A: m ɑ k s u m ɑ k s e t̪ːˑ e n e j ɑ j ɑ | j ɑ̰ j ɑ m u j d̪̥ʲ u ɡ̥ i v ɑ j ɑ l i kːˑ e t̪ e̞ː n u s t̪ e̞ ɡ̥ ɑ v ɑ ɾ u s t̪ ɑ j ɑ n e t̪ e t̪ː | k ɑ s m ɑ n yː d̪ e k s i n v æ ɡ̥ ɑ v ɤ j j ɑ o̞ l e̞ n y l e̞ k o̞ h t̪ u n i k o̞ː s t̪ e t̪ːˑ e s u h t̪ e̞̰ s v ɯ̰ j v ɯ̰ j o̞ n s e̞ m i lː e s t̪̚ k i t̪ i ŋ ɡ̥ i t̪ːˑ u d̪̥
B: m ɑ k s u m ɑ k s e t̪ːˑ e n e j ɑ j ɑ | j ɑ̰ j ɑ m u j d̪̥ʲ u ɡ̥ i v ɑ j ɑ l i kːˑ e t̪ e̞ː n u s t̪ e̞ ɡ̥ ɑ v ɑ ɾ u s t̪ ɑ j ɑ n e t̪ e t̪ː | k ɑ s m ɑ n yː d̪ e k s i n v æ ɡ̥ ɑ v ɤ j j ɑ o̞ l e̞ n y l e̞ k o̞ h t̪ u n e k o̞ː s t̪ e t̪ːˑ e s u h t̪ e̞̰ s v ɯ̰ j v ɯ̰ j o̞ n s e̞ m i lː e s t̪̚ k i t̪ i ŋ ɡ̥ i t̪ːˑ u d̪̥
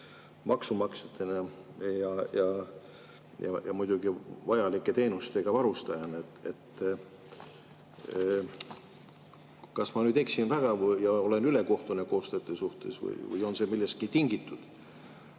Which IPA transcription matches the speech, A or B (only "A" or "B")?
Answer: B